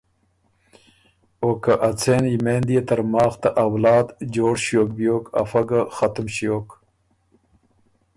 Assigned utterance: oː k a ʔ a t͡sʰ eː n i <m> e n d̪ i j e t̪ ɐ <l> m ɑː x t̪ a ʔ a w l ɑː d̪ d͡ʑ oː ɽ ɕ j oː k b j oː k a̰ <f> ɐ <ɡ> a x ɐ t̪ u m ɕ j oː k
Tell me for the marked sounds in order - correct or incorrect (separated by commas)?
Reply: correct, incorrect, correct, correct